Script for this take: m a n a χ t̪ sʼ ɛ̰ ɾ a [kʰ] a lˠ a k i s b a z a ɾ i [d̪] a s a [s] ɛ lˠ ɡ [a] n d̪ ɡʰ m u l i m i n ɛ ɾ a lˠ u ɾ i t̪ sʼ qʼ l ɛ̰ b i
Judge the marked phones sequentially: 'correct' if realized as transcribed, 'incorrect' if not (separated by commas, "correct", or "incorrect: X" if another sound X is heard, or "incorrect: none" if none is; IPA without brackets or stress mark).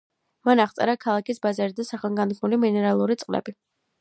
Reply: correct, correct, incorrect: χ, correct